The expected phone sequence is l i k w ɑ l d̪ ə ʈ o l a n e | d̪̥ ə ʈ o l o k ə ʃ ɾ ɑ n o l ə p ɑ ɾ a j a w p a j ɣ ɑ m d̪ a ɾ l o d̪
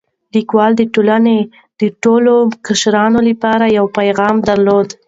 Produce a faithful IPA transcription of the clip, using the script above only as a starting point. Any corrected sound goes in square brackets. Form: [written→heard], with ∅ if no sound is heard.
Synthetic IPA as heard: l i k w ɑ l d̪ ə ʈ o l a n e | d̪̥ ə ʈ o l o k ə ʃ ɾ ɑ n o l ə p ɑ ɾ a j a w p a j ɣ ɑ m d̪ a ɾ l o d̪